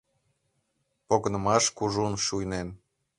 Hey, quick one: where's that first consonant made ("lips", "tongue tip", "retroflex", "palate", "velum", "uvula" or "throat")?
lips